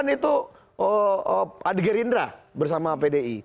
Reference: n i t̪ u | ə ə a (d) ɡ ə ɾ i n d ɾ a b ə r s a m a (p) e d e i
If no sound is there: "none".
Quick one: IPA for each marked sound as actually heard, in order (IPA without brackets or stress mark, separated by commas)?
d, p